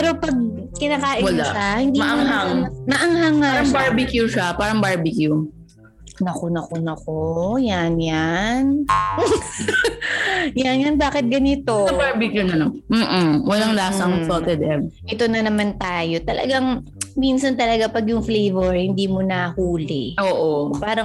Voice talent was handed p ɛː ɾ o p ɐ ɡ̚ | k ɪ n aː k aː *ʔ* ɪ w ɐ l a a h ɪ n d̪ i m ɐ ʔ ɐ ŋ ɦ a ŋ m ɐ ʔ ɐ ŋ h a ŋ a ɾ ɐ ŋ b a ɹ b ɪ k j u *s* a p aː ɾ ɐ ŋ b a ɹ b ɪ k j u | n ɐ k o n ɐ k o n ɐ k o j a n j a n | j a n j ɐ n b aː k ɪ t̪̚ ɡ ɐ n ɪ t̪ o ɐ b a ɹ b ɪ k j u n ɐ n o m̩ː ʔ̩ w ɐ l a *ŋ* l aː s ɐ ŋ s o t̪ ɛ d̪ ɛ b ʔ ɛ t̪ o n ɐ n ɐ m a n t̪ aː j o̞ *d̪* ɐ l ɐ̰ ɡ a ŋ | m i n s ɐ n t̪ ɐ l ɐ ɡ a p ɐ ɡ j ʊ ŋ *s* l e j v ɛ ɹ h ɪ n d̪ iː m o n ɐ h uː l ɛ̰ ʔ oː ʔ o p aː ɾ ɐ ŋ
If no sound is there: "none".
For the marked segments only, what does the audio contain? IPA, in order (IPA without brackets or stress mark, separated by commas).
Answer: ʔ, ʃ, ŋ, t̪, f